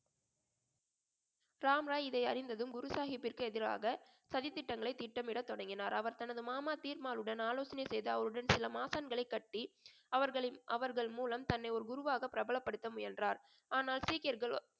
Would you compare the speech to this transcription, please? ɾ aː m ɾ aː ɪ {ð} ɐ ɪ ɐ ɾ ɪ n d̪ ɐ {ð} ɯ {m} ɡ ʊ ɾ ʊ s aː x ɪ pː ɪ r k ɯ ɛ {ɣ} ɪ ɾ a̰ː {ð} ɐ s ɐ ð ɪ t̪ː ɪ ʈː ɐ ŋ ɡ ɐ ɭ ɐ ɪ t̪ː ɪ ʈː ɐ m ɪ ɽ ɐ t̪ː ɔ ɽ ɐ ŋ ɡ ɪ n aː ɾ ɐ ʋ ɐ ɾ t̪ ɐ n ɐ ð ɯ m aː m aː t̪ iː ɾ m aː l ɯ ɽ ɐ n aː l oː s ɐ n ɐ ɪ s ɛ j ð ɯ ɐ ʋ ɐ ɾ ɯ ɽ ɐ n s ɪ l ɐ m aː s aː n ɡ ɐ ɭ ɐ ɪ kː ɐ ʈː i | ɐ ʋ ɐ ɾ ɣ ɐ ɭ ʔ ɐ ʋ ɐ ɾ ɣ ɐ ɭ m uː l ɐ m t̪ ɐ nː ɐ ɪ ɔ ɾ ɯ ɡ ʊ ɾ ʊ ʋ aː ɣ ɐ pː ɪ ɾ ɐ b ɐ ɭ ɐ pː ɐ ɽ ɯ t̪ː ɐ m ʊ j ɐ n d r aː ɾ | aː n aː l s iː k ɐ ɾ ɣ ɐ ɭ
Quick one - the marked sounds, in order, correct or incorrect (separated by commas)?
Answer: correct, correct, correct, incorrect, incorrect